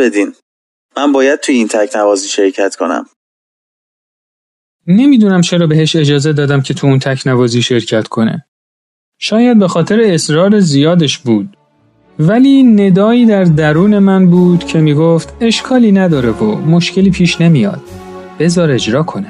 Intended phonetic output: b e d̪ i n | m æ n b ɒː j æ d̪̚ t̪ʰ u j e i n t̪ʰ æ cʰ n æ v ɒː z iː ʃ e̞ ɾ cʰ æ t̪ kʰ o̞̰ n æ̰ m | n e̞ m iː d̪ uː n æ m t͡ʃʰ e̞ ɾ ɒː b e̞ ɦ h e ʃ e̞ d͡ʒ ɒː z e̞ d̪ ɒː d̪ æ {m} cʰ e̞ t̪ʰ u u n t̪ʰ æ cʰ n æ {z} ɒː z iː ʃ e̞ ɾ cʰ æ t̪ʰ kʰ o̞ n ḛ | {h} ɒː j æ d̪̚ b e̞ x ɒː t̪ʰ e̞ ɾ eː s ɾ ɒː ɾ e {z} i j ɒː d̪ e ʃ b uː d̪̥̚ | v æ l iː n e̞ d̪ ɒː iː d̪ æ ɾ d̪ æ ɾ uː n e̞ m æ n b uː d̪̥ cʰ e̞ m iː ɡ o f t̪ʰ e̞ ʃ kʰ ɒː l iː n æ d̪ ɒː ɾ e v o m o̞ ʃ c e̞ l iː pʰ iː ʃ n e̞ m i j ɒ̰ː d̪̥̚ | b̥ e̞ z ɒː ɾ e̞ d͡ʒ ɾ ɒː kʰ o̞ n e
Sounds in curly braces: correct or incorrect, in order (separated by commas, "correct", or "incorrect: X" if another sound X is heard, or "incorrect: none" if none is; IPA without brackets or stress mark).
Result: correct, incorrect: v, incorrect: ʃ, correct